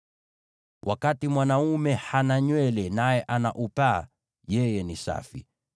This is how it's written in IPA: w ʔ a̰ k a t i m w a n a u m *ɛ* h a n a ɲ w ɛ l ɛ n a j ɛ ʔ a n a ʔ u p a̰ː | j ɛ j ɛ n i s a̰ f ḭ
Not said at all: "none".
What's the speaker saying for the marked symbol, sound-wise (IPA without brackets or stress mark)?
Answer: ɛ